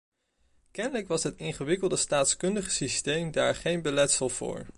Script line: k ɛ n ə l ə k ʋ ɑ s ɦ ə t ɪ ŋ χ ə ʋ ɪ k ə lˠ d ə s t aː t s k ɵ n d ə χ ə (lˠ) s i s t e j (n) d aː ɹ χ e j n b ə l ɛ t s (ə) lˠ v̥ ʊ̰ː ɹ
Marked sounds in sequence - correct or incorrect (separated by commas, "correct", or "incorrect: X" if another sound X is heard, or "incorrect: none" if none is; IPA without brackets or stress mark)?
incorrect: none, incorrect: m, correct